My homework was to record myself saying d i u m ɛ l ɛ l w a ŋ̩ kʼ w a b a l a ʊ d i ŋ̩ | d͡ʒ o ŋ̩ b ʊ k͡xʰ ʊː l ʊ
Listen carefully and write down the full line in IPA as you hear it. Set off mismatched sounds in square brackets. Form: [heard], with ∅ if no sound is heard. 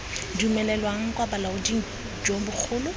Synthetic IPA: d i u m ɛ l ɛ l w a ŋ̩ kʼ w a b a l a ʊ d i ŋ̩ | d͡ʒ o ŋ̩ b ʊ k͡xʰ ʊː l ʊ

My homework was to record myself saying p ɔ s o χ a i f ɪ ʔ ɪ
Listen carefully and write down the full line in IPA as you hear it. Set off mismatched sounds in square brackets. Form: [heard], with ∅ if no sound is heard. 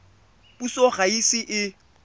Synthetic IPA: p [u] s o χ a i [s] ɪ ʔ ɪ

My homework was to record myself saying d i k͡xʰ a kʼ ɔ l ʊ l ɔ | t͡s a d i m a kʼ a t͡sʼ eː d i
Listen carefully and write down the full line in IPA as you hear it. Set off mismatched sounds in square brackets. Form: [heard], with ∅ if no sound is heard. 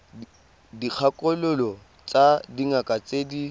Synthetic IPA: d i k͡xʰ a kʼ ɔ l ʊ l ɔ | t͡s a d i [ŋ] a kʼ a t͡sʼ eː d i

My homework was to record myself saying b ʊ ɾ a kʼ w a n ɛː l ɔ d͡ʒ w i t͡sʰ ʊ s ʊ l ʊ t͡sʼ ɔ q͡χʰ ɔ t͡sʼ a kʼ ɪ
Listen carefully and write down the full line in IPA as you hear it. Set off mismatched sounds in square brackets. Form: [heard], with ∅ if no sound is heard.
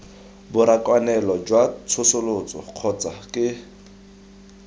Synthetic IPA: b ʊ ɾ a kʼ w a n [ɛ] l ɔ d͡ʒ w [a] t͡sʰ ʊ s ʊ l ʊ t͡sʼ ɔ q͡χʰ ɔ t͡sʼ a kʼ ɪ

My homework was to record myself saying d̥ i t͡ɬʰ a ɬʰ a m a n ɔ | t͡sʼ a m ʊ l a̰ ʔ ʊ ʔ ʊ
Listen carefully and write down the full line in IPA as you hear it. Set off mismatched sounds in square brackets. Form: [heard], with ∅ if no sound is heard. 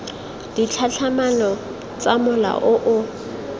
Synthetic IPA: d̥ i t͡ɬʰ a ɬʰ a m a n ɔ | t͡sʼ a m ʊ l a̰ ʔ ʊ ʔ ʊ

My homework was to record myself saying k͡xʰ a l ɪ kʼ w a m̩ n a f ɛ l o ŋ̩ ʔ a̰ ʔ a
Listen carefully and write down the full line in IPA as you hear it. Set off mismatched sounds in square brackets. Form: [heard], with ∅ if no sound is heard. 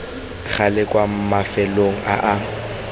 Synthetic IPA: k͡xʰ a l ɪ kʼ w a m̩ [m] a f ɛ l o ŋ̩ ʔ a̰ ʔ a

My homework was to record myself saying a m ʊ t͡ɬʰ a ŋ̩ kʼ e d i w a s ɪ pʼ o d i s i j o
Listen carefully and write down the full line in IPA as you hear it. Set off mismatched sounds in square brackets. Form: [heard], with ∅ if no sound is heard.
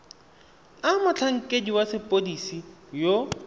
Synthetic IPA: a m ʊ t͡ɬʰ a ŋ̩ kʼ e d i w a s ɪ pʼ o d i s i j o

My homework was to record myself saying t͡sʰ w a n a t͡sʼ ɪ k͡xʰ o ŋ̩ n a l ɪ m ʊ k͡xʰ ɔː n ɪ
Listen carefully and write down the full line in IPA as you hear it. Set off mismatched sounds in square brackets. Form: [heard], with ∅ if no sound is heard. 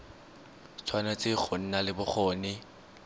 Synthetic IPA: t͡sʰ w a n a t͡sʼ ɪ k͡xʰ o [n̩] n a l ɪ [b] ʊ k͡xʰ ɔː n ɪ

